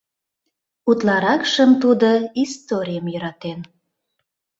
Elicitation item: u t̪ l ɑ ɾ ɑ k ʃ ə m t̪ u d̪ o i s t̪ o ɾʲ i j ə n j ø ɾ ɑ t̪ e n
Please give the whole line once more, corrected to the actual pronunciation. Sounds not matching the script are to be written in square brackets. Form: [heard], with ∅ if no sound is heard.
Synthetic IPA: u t̪ l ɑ ɾ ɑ k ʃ ə m t̪ u d̪ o i s t̪ o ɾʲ i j ə [m] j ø ɾ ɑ t̪ e n